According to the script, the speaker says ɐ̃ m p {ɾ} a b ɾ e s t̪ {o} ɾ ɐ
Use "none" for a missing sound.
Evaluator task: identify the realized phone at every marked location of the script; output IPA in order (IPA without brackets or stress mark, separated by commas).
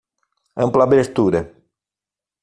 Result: l, u